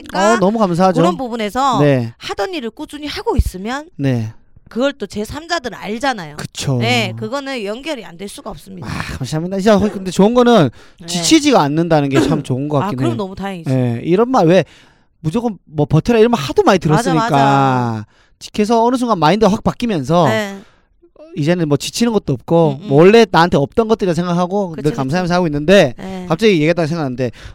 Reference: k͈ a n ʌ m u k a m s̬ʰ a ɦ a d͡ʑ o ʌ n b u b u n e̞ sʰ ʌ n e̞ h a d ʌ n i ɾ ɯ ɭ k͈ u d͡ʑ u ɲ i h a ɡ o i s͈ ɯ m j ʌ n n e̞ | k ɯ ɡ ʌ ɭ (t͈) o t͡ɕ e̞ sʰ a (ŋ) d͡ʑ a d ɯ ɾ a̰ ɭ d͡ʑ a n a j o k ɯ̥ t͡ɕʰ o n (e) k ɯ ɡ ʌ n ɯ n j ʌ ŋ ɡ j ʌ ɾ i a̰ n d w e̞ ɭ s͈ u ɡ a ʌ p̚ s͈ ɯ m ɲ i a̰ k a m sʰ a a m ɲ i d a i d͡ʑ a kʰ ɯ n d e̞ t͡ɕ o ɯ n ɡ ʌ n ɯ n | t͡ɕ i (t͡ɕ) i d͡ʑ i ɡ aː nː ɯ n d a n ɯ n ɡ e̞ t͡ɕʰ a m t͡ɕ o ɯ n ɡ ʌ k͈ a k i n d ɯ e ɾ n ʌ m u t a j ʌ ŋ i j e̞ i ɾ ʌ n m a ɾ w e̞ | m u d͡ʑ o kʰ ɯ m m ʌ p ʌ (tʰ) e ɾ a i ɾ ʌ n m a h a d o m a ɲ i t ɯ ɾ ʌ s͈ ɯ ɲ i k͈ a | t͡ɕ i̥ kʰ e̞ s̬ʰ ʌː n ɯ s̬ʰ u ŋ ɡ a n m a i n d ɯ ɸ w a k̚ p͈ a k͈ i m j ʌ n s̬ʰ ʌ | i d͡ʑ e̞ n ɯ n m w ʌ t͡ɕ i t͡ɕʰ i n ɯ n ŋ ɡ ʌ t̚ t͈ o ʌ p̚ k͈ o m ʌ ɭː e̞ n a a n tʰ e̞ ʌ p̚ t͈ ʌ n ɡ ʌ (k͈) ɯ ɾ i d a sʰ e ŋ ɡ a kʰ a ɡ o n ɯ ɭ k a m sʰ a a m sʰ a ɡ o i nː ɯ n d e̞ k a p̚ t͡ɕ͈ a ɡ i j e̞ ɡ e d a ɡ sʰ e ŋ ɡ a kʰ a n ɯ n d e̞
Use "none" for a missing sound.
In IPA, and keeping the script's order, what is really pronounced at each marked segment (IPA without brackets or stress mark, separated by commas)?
t͈, m, e, t͡ɕʰ, tʰ, t͈